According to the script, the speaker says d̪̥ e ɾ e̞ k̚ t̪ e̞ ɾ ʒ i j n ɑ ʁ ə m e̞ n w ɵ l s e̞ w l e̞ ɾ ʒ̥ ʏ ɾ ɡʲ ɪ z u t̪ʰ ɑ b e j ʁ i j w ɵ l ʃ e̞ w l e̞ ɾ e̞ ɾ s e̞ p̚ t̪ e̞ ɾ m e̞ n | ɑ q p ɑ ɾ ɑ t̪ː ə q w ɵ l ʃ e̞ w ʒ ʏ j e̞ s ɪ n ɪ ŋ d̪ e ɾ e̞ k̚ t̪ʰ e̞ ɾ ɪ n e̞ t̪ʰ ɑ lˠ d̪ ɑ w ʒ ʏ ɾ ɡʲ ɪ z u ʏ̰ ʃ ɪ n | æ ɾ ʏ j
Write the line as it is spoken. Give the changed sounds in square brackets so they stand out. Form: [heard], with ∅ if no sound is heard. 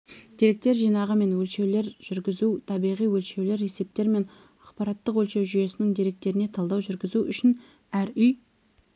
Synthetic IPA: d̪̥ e ɾ e̞ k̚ t̪ e̞ ɾ ʒ i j n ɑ ʁ ə m e̞ n w ɵ l [ʃ] e̞ w l e̞ ɾ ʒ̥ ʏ ɾ ɡʲ ɪ z u t̪ʰ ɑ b [i] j ʁ i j w ɵ l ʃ e̞ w l e̞ ɾ e̞ [∅] s e̞ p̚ t̪ e̞ ɾ m e̞ n | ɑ q p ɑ ɾ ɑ t̪ː ə q w ɵ l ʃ e̞ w ʒ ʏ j e̞ s ɪ n ɪ ŋ d̪ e ɾ e̞ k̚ [t̪] e̞ ɾ ɪ n e̞ t̪ʰ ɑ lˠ d̪ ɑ w ʒ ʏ ɾ ɡʲ ɪ z u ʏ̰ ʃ ɪ n | æ ɾ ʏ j